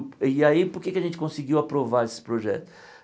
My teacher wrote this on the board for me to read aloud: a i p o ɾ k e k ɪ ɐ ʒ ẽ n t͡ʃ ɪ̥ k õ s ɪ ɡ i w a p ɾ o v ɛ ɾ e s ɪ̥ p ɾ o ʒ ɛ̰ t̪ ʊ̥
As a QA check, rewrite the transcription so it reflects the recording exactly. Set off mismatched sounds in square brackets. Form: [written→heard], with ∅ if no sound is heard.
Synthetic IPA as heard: a i p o ɾ k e k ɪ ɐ ʒ ẽ n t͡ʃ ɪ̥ k õ s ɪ ɡ i w a p ɾ o v [ɛ→a] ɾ e s ɪ̥ p ɾ o ʒ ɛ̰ t̪ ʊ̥